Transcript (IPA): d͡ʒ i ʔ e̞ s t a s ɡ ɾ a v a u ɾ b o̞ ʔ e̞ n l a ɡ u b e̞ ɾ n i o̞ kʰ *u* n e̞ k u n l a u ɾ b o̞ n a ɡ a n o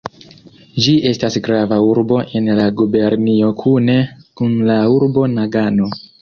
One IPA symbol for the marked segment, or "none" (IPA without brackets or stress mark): u